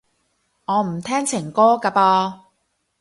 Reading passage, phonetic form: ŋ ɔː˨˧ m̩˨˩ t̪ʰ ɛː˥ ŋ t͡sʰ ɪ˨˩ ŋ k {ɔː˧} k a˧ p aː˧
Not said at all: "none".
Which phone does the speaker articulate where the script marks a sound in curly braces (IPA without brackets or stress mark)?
ɔː˥